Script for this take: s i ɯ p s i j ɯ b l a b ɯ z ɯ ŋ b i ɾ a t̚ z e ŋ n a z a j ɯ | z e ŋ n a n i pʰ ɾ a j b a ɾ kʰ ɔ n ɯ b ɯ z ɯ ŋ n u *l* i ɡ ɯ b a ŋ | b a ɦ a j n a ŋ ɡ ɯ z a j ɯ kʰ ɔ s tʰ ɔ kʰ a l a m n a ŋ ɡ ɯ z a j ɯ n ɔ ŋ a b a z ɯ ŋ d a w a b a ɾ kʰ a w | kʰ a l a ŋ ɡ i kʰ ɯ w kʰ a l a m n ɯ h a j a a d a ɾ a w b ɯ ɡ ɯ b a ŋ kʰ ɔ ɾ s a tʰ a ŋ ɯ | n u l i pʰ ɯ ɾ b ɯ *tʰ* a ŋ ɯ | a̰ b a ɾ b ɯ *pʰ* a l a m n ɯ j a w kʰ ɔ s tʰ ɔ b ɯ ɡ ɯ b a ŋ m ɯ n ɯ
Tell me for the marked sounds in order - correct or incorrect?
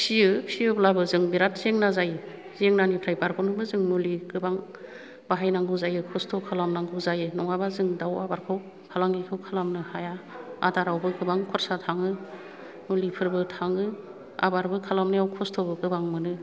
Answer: correct, correct, incorrect: kʰ

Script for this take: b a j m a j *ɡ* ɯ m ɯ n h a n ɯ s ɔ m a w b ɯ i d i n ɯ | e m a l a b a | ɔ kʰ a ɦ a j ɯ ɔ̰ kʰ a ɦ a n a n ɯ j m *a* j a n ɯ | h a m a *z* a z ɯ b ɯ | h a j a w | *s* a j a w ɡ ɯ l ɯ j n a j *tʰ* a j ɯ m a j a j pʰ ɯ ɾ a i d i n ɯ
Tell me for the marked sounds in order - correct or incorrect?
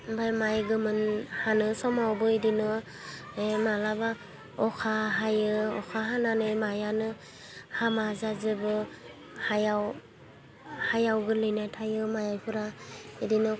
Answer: correct, correct, correct, incorrect: h, correct

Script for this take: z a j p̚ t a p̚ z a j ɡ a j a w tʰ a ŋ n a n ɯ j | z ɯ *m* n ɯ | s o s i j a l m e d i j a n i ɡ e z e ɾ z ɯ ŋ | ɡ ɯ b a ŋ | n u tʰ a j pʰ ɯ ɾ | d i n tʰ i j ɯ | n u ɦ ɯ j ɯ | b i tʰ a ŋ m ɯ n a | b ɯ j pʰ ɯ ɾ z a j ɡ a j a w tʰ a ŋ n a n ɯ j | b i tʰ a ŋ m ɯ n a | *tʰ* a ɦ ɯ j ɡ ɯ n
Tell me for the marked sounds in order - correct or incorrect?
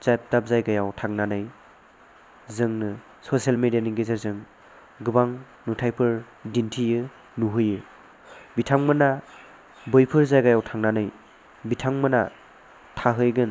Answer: incorrect: ŋ, correct

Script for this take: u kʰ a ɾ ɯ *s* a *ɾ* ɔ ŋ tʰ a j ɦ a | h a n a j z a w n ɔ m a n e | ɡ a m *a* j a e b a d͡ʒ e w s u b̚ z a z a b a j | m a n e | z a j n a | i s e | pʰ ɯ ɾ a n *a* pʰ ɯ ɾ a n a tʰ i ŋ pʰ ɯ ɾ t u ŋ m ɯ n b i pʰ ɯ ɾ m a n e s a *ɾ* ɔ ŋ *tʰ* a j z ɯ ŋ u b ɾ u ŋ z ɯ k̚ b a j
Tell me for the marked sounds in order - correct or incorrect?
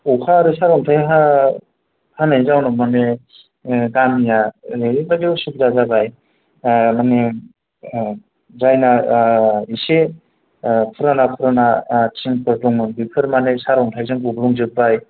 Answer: correct, correct, incorrect: i, correct, correct, correct

